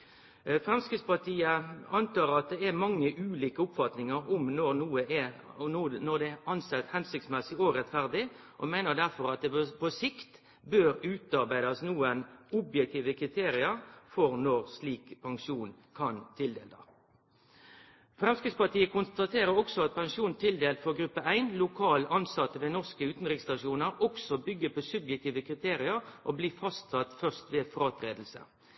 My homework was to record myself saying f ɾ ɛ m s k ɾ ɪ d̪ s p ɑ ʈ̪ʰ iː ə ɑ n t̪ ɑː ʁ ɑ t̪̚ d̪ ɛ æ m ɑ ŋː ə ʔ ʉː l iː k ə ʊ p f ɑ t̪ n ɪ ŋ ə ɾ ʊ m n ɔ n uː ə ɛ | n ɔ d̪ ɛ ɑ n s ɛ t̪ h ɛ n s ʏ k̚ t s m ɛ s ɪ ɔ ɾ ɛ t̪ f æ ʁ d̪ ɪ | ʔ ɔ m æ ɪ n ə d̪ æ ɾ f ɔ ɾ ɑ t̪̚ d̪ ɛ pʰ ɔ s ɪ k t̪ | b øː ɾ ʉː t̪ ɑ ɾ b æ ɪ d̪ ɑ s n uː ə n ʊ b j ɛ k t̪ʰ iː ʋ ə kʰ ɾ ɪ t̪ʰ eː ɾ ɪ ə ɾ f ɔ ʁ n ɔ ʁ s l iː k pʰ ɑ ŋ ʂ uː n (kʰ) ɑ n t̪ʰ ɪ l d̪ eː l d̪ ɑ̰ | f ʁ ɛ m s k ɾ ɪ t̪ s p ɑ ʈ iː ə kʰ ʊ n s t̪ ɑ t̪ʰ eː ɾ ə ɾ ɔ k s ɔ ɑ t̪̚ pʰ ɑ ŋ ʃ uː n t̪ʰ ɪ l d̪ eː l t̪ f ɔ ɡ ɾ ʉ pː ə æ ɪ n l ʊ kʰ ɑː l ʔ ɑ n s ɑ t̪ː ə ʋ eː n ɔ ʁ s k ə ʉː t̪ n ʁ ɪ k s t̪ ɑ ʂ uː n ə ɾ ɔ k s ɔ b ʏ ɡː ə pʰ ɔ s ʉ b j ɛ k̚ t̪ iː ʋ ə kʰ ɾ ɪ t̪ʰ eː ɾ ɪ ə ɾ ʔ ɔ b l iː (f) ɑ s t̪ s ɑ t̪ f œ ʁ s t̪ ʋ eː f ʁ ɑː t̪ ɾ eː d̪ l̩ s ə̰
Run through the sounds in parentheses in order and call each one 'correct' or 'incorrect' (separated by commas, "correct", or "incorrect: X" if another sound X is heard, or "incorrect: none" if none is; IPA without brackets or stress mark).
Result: correct, correct